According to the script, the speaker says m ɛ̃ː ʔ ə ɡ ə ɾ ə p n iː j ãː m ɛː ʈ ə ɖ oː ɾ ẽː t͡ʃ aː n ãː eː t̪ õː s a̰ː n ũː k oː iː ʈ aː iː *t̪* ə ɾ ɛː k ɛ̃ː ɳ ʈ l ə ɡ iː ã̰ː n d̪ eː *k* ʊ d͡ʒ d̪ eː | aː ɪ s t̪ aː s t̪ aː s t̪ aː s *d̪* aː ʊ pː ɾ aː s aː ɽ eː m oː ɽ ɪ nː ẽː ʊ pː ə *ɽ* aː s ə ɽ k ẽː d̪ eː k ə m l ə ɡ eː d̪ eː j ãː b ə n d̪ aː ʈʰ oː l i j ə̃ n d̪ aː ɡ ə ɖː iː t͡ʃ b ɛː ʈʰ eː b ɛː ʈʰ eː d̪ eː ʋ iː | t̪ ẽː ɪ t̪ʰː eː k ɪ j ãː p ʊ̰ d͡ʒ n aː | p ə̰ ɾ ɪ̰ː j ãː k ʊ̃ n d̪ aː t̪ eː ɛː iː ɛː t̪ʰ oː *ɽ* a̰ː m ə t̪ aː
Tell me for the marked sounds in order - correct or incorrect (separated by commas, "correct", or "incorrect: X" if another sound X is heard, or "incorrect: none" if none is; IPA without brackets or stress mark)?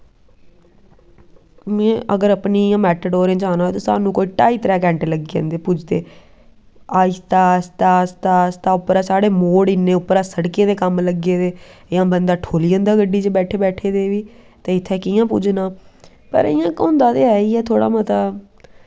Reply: correct, incorrect: p, incorrect: t̪, incorrect: ɾ, correct